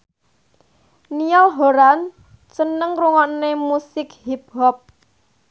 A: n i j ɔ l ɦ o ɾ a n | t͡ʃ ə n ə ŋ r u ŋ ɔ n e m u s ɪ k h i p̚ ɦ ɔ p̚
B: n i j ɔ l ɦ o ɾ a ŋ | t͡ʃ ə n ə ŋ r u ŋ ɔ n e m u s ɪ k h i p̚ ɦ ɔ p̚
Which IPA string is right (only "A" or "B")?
A